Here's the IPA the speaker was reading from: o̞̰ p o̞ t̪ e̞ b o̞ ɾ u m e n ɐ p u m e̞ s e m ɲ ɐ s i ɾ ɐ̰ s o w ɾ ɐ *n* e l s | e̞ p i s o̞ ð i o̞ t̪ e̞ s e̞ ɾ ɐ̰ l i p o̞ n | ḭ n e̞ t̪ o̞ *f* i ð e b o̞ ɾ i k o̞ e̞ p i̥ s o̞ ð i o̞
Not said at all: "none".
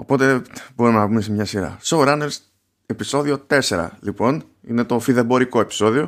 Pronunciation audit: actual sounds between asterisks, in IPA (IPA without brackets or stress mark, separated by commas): n, f